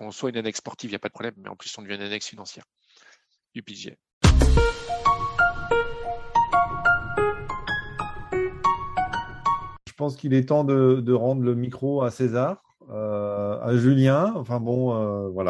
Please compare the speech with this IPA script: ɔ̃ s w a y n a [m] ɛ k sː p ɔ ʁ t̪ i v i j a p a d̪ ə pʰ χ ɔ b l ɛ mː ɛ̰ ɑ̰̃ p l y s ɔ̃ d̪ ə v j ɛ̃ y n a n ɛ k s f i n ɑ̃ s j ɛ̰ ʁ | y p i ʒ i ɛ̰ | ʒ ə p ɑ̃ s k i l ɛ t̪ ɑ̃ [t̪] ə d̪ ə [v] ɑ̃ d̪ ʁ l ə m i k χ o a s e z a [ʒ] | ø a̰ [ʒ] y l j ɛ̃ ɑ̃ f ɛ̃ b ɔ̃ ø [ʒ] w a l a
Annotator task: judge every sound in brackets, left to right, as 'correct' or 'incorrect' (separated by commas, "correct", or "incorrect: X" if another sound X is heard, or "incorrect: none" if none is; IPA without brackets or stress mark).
incorrect: n, incorrect: d̪, incorrect: ʁ, incorrect: ʁ, correct, incorrect: v